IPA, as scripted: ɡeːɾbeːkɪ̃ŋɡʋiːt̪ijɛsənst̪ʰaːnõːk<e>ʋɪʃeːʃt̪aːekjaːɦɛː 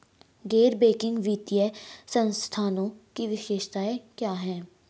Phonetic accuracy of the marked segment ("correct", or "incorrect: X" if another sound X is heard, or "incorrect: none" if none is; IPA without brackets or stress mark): incorrect: i